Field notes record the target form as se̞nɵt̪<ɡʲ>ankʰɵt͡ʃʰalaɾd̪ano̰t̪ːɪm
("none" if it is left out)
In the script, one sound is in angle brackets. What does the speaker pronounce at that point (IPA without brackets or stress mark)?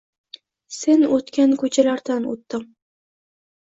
kʲ